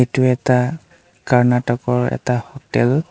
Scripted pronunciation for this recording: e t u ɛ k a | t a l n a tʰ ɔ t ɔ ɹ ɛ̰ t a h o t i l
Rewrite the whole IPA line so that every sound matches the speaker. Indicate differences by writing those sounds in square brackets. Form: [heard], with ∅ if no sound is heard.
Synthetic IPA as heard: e t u ɛ [t] a | [k] a [ɹ] n a [t] ɔ [k] ɔ ɹ ɛ̰ t a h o t [ɛ] l